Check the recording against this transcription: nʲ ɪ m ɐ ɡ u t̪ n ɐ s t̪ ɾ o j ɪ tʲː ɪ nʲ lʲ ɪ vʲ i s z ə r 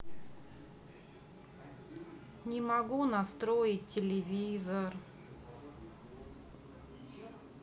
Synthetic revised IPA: nʲ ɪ m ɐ ɡ u n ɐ s t̪ ɾ o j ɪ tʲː ɪ lʲ ɪ vʲ i z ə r